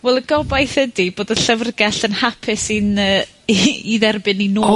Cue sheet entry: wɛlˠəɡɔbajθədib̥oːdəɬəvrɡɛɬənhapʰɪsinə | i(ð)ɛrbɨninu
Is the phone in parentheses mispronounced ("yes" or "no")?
no